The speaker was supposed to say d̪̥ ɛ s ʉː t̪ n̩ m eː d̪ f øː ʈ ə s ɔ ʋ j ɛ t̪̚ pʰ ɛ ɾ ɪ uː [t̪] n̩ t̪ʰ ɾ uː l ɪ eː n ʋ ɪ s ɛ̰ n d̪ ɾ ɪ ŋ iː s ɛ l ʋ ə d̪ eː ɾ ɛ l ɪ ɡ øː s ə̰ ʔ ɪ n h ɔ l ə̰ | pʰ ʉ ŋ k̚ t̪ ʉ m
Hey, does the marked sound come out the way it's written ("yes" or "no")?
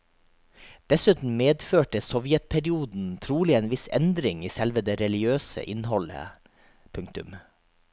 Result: no